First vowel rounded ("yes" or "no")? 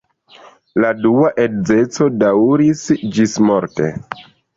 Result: no